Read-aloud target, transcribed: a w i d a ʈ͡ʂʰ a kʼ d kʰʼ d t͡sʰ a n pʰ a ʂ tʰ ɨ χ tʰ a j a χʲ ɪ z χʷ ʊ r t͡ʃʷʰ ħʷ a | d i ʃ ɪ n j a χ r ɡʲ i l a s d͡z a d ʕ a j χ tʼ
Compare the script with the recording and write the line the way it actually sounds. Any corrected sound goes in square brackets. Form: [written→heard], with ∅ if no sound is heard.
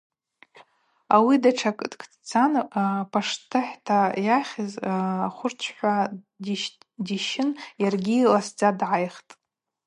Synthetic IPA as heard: a w i d a ʈ͡ʂʰ a kʼ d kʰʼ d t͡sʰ a n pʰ a ʂ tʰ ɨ [χ→ħ] tʰ a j a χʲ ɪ z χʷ ʊ r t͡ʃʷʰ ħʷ a | d i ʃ ɪ n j a [χ→∅] r ɡʲ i l a s d͡z a d ʕ a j χ tʼ